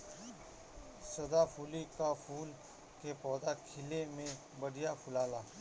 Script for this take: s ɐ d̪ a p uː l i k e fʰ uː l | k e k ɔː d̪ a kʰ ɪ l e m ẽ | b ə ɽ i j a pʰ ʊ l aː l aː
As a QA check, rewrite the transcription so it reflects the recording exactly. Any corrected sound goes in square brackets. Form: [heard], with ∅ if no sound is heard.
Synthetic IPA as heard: s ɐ d̪ a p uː l i k [a] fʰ uː l | k e [p] ɔː d̪ a kʰ ɪ l e m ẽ | b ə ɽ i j a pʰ ʊ l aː l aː